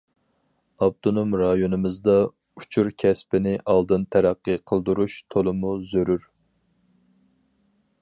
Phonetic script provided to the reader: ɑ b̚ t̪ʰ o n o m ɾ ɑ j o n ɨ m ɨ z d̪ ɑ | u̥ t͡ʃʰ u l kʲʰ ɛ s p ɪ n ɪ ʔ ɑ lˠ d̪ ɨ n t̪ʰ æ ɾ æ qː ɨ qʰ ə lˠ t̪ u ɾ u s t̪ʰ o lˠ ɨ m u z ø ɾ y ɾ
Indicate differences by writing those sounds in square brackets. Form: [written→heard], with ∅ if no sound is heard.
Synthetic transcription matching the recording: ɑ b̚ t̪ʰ o n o m ɾ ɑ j o n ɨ m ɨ z d̪ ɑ | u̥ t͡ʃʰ u [l→ɾ] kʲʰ ɛ s p ɪ n ɪ ʔ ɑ lˠ d̪ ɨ n t̪ʰ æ ɾ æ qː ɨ qʰ ə lˠ [t̪→d̪] u ɾ u [s→ʃ] t̪ʰ o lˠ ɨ m u z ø ɾ y ɾ